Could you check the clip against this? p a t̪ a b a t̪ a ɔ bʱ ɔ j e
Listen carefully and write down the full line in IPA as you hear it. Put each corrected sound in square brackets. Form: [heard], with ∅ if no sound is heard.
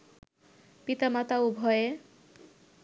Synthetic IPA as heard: p [i] t̪ a [m] a t̪ a [u] bʱ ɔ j e

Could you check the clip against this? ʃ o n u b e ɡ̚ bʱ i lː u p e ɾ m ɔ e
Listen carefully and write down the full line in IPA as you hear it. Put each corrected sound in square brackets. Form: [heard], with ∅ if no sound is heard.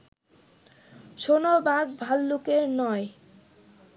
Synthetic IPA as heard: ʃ o n [o] b [a] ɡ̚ bʱ [a] lː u [k] e ɾ [n] ɔ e

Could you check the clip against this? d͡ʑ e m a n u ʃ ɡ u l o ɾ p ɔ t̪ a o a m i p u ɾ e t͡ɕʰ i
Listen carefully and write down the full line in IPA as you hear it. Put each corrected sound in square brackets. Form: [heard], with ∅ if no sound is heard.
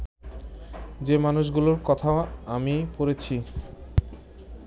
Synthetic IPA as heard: d͡ʑ e m a n u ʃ ɡ u l o ɾ [k] ɔ [t̪ʰ] a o a m i p [o] ɾ e t͡ɕʰ i

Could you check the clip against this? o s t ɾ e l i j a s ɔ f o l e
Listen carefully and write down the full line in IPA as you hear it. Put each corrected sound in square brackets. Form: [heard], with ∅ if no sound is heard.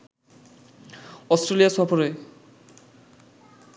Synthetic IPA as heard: [ɔ] s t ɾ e l i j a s ɔ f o [ɾ] e

